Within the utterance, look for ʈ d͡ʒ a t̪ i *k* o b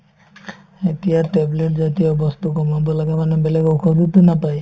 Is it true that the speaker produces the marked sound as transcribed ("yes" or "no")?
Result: no